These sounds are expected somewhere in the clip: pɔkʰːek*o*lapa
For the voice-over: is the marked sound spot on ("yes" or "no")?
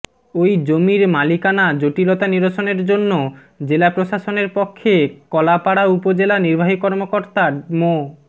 no